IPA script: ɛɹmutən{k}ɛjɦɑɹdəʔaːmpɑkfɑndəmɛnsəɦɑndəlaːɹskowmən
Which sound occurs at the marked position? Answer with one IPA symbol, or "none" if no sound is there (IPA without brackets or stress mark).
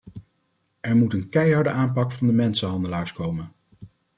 k